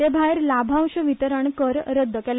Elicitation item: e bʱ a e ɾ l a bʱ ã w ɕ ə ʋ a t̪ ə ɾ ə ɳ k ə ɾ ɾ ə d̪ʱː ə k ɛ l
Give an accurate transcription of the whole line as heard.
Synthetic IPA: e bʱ a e ɾ l a bʱ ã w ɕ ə ʋ i t̪ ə ɾ ə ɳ k ə ɾ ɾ ə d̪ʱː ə k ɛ l